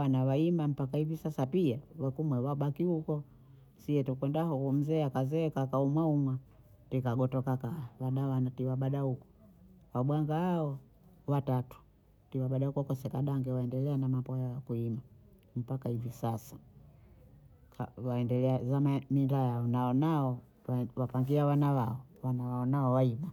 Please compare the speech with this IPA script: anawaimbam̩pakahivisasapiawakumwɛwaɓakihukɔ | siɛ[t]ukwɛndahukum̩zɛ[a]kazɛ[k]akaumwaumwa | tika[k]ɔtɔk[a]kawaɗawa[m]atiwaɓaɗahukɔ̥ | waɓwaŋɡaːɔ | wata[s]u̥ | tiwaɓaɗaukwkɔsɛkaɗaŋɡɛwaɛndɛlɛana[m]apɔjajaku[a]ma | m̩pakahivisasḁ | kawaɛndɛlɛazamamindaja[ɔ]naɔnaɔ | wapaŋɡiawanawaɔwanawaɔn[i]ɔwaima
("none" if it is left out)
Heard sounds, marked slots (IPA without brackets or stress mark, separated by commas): t, a, k, ɡ, a, n, t, m, i, ɔ, a